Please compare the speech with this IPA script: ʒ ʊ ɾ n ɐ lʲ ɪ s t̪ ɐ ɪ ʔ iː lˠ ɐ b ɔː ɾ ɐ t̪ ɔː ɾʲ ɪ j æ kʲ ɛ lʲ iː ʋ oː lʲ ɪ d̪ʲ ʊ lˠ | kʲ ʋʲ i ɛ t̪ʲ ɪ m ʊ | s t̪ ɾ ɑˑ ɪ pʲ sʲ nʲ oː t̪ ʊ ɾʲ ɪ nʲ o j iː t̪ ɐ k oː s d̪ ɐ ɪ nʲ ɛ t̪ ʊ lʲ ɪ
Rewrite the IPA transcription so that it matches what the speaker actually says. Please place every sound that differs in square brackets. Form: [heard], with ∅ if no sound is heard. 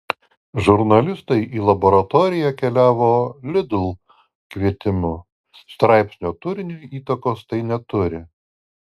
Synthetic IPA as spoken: ʒ ʊ ɾ n ɐ lʲ ɪ s t̪ ɐ ɪ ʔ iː lˠ ɐ b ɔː ɾ ɐ t̪ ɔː ɾʲ ɪ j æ kʲ ɛ lʲ [æː] ʋ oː lʲ ɪ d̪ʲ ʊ lˠ | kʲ ʋʲ i ɛ t̪ʲ ɪ m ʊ | s t̪ ɾ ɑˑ ɪ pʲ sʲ nʲ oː t̪ ʊ ɾʲ ɪ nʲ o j iː t̪ ɐ k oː s [t̪] ɐ ɪ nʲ ɛ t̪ ʊ [ɾʲ] ɪ